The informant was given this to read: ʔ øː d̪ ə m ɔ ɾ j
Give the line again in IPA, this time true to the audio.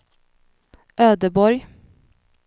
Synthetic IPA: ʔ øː d̪ ə b ɔ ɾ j